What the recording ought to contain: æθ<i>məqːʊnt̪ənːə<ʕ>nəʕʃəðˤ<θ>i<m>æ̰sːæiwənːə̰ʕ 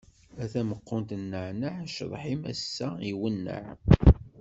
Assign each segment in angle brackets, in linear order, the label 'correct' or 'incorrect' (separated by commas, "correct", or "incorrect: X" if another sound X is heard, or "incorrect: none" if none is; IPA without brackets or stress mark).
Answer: incorrect: æ, correct, incorrect: ħ, correct